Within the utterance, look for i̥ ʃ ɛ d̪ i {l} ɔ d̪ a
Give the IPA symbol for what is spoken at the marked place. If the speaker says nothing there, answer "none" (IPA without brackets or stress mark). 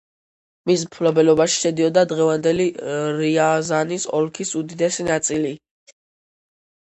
none